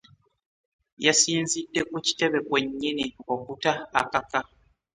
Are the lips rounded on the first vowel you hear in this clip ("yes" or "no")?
no